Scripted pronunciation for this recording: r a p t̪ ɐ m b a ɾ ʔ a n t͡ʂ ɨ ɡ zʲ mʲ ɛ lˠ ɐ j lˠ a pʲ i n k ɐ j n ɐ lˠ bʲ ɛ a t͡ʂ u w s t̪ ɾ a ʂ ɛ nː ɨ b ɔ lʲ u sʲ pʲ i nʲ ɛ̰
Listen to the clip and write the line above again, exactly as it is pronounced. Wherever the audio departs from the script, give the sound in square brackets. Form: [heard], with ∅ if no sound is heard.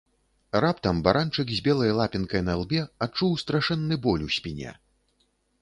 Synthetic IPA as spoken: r a p t̪ ɐ m b a ɾ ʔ a n t͡ʂ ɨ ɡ zʲ [bʲ] ɛ lˠ ɐ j lˠ a pʲ i n k ɐ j n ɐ lˠ bʲ ɛ a t͡ʂ u w s t̪ ɾ a ʂ ɛ nː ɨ b ɔ lʲ u sʲ pʲ i nʲ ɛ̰